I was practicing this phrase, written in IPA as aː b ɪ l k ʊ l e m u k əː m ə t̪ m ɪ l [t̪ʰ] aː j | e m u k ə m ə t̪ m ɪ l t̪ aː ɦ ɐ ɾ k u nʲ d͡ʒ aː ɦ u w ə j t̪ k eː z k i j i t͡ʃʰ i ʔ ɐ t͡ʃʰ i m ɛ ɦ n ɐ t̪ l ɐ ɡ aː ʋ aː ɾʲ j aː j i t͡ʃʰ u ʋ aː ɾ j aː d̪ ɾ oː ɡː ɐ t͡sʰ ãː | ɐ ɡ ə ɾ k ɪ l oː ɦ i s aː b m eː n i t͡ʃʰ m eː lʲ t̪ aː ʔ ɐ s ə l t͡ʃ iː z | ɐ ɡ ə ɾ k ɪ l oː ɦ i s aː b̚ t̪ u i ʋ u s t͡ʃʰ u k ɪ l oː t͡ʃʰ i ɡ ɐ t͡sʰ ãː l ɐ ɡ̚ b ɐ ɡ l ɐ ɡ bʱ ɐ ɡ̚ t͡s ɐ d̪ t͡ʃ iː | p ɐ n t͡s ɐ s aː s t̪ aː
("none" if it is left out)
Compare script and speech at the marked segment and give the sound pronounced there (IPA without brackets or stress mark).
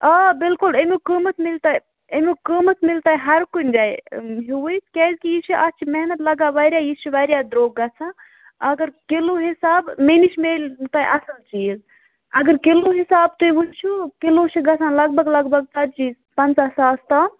t̪